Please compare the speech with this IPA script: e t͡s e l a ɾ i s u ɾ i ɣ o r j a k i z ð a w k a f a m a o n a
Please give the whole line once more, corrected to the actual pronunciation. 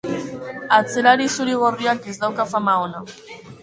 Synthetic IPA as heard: a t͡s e l a ɾ i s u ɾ i ɣ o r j a k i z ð a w k a f a m a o n a